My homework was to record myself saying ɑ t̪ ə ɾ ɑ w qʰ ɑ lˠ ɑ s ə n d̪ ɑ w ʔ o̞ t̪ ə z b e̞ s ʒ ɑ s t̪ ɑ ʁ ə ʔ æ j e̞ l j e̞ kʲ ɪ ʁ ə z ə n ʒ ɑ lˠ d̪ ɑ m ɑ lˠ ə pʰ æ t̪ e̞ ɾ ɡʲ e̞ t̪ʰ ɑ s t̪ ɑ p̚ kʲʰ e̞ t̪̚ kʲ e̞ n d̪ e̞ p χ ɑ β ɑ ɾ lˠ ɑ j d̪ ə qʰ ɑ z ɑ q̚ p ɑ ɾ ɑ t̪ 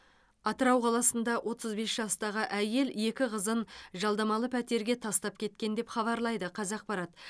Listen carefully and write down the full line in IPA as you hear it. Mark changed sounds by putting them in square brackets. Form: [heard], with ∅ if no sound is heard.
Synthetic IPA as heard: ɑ t̪ ə ɾ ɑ w qʰ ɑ lˠ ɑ s ə n d̪ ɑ w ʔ o̞ t̪ ə z b e̞ s ʒ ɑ s t̪ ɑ ʁ ə ʔ æ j e̞ l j e̞ kʲ ɪ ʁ ə z ə n ʒ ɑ lˠ d̪ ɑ m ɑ lˠ ə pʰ æ t̪ e̞ ɾ ɡʲ e̞ t̪ʰ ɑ s t̪ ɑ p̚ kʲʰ e̞ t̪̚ kʲ e̞ n d̪ e̞ p χ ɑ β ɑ ɾ lˠ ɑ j d̪ ə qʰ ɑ z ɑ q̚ p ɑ ɾ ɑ t̪